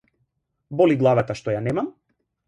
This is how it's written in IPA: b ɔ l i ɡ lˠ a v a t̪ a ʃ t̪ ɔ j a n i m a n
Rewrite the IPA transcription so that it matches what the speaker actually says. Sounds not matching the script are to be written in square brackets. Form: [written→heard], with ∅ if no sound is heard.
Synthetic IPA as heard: b ɔ l i ɡ lˠ a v a t̪ a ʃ t̪ ɔ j a n [i→ɛ] m a [n→m]